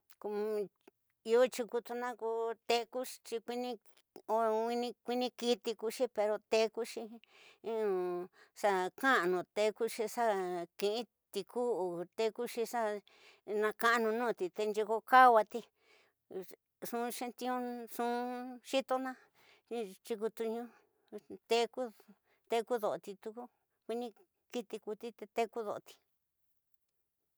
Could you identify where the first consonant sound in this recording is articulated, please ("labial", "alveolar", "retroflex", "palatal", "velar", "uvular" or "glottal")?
velar